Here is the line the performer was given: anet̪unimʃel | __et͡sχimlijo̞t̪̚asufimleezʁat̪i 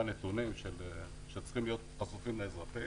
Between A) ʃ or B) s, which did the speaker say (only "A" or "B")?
A